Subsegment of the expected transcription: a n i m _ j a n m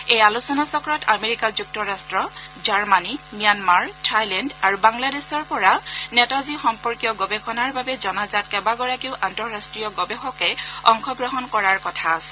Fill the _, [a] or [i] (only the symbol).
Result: i